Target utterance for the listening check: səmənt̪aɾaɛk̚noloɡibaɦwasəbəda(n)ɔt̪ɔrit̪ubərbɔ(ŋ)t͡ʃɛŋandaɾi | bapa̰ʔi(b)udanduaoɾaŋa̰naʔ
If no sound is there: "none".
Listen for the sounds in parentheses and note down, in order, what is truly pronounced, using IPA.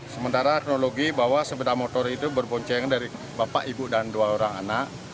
m, ɲ, b

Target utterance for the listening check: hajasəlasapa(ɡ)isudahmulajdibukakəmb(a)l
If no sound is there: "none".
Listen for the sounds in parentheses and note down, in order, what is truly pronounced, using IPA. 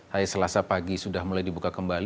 ɡ, a

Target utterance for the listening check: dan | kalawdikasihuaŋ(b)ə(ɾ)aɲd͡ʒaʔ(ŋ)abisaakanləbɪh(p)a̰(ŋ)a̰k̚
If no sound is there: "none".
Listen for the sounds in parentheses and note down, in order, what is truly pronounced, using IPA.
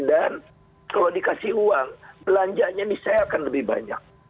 b, l, ɲ, b, ɲ

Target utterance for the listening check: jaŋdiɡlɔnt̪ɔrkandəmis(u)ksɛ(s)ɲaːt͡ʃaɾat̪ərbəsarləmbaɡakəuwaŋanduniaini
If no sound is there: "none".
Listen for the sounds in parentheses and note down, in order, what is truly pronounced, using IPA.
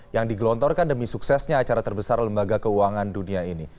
u, s

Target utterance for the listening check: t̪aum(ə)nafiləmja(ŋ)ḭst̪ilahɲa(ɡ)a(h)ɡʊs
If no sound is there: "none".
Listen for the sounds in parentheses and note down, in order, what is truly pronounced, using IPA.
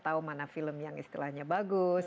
a, ŋ, b, none

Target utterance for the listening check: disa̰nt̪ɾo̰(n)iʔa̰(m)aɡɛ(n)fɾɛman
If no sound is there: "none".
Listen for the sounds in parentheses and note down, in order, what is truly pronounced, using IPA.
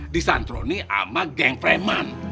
n, m, ŋ

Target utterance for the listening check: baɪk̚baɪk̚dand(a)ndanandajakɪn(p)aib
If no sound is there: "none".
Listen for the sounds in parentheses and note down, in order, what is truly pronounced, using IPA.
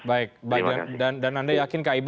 a, k

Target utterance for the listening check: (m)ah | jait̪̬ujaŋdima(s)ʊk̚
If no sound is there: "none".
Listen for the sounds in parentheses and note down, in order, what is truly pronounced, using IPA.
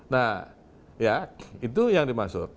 n, s

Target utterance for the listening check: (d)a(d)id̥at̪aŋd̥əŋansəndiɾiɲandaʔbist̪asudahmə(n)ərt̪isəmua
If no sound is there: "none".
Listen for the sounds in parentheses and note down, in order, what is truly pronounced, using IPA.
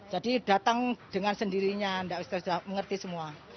d͡ʒ, d, ŋ

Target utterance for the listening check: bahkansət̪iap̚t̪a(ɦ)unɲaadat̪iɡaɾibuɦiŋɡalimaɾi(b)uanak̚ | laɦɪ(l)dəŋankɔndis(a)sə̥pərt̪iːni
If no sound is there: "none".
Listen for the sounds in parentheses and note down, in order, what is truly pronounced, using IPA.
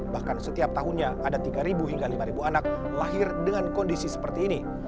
ɦ, b, r, i

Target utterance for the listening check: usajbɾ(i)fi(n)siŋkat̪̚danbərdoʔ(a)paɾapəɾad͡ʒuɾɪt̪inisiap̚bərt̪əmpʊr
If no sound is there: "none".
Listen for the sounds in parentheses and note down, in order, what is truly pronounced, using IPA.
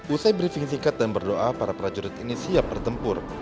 i, ŋ, a

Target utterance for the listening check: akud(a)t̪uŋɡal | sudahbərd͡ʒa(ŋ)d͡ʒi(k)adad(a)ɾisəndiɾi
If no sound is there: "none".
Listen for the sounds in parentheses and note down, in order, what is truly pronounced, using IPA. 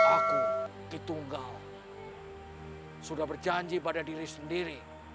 i, ɲ, p, i

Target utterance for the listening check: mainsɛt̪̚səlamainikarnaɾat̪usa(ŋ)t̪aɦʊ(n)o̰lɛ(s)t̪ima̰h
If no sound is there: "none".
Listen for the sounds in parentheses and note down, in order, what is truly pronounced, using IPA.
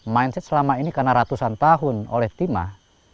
n, n, h

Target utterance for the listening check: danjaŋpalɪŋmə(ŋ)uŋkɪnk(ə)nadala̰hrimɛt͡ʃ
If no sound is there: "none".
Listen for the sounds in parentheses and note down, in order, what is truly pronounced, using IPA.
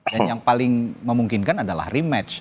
m, a

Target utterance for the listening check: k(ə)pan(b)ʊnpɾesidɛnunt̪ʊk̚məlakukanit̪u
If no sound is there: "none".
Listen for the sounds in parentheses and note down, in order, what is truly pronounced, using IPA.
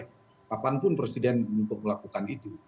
a, p

